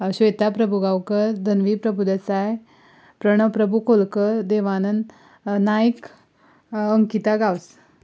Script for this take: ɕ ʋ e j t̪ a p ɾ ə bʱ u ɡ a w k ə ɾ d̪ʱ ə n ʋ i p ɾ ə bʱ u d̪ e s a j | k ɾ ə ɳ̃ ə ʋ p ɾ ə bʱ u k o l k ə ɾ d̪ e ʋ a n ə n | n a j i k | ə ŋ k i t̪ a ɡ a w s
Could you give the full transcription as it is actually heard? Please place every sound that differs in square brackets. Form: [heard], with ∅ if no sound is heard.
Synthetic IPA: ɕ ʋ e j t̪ a p ɾ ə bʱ u ɡ a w k ə ɾ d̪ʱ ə n ʋ i p ɾ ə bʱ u d̪ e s a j | [p] ɾ ə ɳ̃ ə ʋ p ɾ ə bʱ u k o l k ə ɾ d̪ e ʋ a n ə n | n a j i k | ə ŋ k i t̪ a ɡ a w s

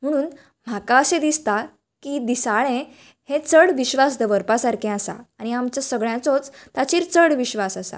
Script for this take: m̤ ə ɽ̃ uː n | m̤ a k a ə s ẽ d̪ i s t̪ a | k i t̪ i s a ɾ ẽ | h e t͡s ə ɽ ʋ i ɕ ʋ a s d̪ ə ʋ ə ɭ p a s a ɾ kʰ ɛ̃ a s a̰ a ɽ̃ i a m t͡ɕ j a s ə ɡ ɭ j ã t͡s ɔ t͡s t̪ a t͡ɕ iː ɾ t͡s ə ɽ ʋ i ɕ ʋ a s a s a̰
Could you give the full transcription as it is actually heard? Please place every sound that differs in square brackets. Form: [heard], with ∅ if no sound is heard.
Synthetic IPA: m̤ ə ɽ̃ uː n | m̤ a k a ə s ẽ d̪ i s t̪ a | k i [d̪] i s a [ɭ] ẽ | h e t͡s ə ɽ ʋ i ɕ ʋ a s d̪ ə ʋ ə [ɾ] p a s a ɾ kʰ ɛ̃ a s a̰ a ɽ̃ i a m t͡ɕ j a s ə ɡ ɭ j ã t͡s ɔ t͡s t̪ a t͡ɕ iː ɾ t͡s ə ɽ ʋ i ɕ ʋ a s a s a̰

